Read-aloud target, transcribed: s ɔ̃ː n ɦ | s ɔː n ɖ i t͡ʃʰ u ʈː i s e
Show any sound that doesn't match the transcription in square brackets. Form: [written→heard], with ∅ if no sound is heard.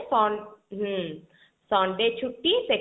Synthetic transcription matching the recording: s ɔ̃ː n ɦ | s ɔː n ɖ [i→e] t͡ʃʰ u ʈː i s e